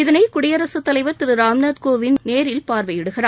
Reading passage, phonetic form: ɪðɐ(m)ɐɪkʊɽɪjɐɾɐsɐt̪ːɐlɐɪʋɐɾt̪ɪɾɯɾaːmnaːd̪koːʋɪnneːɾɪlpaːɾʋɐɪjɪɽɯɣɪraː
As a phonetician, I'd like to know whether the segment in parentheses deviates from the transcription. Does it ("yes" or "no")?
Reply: yes